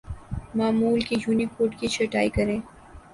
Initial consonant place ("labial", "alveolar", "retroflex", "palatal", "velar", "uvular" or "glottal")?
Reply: labial